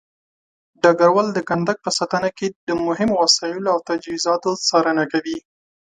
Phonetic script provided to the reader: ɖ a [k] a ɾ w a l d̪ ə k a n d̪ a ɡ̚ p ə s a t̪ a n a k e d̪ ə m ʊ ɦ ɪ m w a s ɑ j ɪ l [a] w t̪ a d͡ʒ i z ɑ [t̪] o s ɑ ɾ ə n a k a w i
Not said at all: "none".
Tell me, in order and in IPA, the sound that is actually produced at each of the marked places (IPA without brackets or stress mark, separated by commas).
ɡ, a, t̪